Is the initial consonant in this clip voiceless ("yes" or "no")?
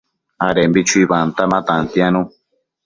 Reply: no